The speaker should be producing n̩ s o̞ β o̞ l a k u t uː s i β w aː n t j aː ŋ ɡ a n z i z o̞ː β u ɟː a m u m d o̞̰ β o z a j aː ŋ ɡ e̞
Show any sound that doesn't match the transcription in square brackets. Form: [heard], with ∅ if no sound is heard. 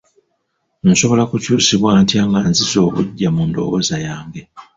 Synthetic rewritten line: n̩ s o̞ β o̞ l a k u [c] uː s i β w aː n t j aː ŋ ɡ a n z i z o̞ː β u ɟː a m u [n] d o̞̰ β o z a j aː ŋ ɡ e̞